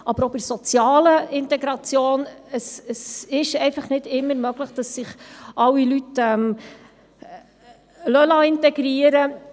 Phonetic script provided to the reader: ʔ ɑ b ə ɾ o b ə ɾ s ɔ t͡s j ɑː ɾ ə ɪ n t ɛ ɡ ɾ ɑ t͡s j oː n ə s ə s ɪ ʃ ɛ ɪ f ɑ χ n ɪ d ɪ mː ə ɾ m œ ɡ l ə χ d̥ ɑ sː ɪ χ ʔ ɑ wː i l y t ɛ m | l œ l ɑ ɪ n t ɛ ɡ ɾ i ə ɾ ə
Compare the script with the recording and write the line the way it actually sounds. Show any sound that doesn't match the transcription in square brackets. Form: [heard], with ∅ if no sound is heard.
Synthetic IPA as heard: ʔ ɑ b ə ɾ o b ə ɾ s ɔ t͡s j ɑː [l] ə ɪ n t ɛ ɡ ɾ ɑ t͡s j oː n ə s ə s ɪ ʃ ɛ ɪ f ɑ χ n ɪ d ɪ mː ə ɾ m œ ɡ l ə χ d̥ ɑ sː ɪ χ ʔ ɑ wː i l y t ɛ m | l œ l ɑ ɪ n t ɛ ɡ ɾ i ə ɾ ə

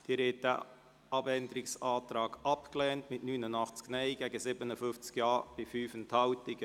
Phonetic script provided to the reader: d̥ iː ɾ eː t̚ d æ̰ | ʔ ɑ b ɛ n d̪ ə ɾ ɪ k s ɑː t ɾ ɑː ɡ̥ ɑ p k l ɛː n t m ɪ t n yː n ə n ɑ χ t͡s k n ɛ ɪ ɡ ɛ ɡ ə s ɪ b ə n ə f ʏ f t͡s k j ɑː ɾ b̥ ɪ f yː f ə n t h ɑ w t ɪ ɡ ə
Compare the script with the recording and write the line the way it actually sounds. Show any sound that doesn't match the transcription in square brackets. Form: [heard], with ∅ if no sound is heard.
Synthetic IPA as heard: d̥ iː ɾ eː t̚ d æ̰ | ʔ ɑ b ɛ n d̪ ə ɾ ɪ k s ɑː t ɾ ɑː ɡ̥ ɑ p k l ɛː n t m ɪ t n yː n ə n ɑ χ t͡s k n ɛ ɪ ɡ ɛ ɡ ə s ɪ b ə n ə f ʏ f t͡s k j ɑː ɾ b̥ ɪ f yː f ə n t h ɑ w t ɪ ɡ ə

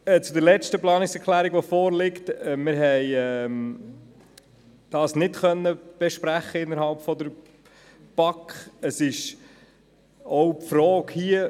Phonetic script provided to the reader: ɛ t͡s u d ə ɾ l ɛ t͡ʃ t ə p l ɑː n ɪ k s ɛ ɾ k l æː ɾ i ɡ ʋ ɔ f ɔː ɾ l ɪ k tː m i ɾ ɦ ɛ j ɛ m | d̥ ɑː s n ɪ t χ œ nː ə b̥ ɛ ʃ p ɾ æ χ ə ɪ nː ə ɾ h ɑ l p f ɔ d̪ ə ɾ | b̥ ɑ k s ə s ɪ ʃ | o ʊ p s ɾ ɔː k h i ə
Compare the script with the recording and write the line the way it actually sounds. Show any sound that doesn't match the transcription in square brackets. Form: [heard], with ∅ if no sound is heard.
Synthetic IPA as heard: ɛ t͡s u d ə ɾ l ɛ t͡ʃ t ə p l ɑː n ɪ k s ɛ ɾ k l æː ɾ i ɡ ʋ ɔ f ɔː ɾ l ɪ k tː m [ɪ] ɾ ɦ ɛ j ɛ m | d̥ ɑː s n ɪ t χ œ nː ə b̥ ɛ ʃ p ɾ æ χ ə ɪ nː ə ɾ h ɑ l p f ɔ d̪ ə ɾ | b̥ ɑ k [χ] ə s ɪ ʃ | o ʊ p [f] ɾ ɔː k h i ə

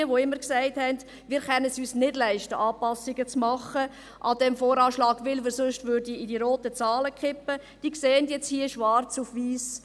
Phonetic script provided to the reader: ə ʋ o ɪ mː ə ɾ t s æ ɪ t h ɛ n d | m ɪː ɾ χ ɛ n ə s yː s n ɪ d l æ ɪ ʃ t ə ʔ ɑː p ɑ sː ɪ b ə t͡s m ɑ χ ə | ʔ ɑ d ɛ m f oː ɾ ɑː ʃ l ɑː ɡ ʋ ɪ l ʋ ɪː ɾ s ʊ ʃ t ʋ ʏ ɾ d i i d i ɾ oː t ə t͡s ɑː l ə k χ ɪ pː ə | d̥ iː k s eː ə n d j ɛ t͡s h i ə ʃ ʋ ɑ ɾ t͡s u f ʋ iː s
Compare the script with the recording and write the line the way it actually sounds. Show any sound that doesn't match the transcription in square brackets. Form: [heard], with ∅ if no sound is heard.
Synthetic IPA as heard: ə ʋ o ɪ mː ə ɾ [k] s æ ɪ t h ɛ n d | m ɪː ɾ χ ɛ n ə s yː s n ɪ d l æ ɪ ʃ t ə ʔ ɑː p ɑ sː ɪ [ɡ] ə t͡s m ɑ χ ə | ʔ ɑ d ɛ m f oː ɾ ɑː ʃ l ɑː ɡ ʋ ɪ l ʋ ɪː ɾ s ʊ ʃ t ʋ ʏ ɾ d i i d i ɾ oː t ə t͡s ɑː l ə k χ ɪ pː ə | d̥ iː k s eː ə n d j ɛ t͡s h i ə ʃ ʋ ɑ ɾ t͡s u f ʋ iː s

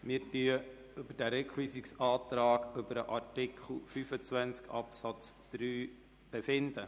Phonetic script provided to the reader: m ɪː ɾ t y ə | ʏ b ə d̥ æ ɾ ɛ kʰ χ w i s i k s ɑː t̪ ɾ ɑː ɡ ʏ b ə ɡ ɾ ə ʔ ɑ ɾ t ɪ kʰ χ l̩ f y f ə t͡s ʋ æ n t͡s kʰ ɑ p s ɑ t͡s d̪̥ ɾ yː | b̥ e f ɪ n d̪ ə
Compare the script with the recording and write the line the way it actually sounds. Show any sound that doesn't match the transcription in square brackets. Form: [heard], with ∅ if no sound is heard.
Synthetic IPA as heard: m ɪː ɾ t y ə | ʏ b ə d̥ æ ɾ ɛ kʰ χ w i s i k s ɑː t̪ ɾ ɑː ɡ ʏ b ə [∅] ɾ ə ʔ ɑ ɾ t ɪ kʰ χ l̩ f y f ə t͡s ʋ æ n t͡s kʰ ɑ p s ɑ t͡s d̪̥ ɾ yː | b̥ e f ɪ n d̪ ə

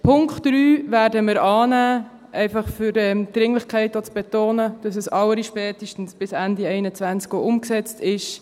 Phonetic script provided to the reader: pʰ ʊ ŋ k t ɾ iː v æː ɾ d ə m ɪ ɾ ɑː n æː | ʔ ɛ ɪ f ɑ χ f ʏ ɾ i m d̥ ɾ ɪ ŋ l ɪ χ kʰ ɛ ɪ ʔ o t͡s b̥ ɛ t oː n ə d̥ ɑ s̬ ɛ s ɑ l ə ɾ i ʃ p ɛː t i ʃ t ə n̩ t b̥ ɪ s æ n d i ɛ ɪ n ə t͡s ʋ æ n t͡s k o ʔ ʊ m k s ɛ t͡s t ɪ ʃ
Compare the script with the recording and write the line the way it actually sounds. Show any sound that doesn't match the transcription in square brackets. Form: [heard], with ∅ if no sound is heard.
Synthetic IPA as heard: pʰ ʊ ŋ k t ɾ [yː] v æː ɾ d ə m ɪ ɾ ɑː n æː | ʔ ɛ ɪ f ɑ χ f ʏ ɾ [ɛ] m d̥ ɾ ɪ ŋ l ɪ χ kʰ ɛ ɪ [t] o t͡s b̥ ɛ t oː n ə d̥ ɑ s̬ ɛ s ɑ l ə ɾ i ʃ p ɛː t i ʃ t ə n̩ [s] b̥ ɪ s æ n d i ɛ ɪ n ə t͡s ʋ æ n t͡s k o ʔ ʊ m k s ɛ t͡s t ɪ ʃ

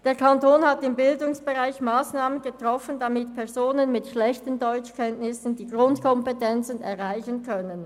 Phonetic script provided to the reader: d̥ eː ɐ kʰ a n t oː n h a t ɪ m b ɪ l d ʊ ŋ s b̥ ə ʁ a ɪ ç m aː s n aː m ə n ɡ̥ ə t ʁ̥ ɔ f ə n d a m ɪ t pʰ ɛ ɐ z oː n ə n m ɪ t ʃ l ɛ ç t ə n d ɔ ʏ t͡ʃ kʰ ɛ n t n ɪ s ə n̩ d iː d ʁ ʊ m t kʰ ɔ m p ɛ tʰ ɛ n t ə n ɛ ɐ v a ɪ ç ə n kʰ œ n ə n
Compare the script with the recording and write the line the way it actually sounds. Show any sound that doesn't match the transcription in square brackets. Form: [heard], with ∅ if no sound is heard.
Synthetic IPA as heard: d̥ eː ɐ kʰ a n t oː n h a t ɪ m b ɪ l d ʊ ŋ s b̥ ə ʁ a ɪ ç m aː s n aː m ə n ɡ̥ ə t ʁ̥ ɔ f ə n d a m ɪ t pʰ ɛ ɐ z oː n ə n m ɪ t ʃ l ɛ ç t ə n d ɔ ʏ t͡ʃ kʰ ɛ n t n ɪ s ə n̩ d iː [ɡ] ʁ ʊ [n] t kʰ ɔ m p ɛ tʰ ɛ n [t͡s] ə n ɛ ɐ [ʁ] a ɪ ç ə n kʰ œ n ə n

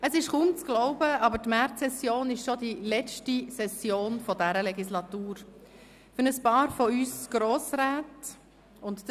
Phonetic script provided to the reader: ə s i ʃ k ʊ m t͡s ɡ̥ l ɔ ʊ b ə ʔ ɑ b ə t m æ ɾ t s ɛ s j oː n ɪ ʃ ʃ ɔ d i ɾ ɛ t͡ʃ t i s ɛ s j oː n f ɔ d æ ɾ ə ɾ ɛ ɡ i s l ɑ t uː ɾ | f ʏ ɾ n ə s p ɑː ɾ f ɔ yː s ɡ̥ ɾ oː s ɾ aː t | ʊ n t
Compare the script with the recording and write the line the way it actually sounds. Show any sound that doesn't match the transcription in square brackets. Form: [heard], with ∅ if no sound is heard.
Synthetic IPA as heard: ə s [ɪ] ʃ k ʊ m t͡s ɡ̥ l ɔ ʊ b ə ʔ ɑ b ə t m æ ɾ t s ɛ s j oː n ɪ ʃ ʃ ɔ d i [l] ɛ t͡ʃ t i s ɛ s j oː n f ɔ d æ ɾ ə [l] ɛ ɡ i s l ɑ t uː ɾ | f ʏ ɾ n ə s p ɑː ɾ f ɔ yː s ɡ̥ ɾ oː s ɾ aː t | ʊ n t

